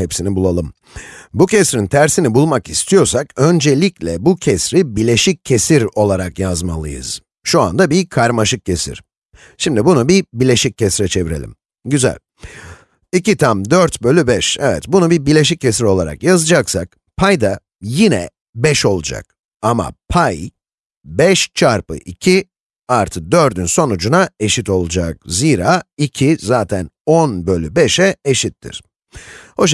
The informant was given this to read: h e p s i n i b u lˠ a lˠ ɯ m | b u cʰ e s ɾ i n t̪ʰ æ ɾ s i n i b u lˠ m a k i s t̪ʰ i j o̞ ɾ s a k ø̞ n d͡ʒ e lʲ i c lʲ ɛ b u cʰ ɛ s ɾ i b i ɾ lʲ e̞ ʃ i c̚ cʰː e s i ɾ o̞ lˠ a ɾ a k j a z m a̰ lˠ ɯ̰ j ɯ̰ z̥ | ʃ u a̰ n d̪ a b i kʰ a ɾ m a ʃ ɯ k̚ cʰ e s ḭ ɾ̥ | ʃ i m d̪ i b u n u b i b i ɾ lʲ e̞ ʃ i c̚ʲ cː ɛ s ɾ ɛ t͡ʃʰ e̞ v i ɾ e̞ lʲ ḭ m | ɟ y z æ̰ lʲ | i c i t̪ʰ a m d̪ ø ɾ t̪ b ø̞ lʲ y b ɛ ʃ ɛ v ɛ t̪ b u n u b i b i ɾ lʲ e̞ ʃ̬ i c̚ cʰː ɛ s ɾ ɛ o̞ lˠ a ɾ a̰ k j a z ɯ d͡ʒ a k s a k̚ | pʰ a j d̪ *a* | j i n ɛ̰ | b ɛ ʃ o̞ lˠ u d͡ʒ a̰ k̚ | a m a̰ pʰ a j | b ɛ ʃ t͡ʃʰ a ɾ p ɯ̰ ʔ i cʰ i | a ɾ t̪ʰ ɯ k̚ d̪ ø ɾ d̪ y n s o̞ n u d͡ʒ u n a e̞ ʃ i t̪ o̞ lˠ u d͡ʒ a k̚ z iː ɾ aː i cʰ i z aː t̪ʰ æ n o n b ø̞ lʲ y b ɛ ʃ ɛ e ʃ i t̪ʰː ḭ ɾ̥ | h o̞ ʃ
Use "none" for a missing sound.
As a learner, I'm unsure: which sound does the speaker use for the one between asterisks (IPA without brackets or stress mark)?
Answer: a